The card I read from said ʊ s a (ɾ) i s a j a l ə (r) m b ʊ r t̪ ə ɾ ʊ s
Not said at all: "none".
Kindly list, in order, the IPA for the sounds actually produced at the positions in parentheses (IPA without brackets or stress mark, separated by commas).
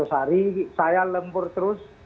ɾ, none